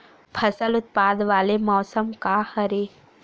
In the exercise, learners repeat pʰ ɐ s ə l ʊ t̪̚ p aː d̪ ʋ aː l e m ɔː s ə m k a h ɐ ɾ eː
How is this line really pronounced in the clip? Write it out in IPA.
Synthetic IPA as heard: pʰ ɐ s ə l ʊ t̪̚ p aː d̪ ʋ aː l e m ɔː s ə m k a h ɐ ɾ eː